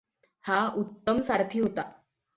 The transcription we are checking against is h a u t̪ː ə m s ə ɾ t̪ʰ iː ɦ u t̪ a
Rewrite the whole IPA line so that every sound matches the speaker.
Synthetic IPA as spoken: h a u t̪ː ə m s a ɾ t̪ʰ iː ɦ o t̪ a